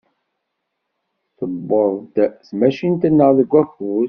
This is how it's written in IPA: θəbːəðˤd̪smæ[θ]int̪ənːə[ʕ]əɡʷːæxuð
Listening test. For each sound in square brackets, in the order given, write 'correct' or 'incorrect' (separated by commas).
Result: incorrect, incorrect